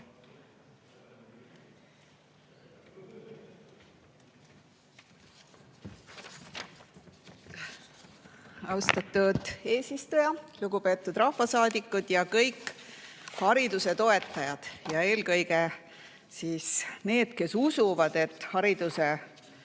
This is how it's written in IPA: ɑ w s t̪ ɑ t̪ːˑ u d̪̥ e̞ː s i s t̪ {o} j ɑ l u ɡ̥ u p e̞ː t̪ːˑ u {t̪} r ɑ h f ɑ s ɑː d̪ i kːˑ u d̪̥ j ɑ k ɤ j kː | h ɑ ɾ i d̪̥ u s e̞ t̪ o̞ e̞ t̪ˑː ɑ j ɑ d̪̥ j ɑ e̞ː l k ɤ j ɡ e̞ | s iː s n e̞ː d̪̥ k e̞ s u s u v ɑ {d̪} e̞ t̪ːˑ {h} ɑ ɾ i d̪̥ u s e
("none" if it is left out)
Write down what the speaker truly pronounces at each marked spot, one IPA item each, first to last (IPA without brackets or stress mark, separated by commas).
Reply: u, d̪, d̪, h